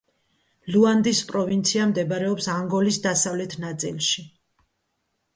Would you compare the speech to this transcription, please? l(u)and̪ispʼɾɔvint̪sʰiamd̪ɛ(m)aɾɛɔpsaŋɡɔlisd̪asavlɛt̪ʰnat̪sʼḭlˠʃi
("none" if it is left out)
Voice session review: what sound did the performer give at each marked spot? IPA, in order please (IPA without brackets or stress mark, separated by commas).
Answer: u, b